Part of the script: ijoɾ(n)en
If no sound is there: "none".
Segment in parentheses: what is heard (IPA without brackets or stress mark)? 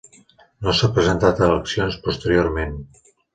m